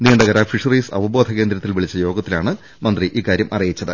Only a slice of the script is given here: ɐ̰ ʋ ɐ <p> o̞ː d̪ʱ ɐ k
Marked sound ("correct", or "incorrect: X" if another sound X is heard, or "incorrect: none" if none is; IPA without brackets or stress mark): incorrect: b